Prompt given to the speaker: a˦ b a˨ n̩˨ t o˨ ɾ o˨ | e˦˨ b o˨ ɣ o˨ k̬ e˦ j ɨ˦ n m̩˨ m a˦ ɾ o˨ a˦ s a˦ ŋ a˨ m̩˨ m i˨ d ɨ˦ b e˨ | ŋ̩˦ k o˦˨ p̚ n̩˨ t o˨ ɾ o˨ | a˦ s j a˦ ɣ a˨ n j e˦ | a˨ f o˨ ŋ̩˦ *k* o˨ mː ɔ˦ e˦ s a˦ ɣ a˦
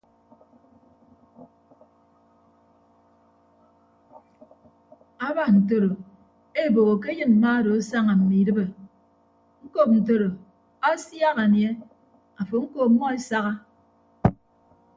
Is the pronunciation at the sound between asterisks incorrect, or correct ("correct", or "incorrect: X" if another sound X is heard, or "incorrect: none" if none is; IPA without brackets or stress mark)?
correct